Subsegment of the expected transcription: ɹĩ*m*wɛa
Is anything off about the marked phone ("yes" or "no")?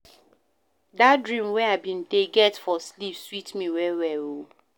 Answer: no